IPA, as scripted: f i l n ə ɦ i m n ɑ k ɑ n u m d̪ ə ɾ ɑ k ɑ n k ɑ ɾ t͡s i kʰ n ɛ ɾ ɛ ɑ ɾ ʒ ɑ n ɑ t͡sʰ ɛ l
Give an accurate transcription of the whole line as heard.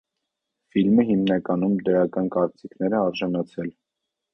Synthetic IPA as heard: f i l m ə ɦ i m n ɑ k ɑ n u m d̪ ə ɾ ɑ k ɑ n k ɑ ɾ t͡s i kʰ n ɛ ɾ ɛ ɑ ɾ ʒ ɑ n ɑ t͡sʰ ɛ l